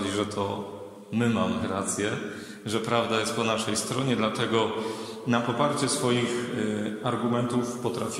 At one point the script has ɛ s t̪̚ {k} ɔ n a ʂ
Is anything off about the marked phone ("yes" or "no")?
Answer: yes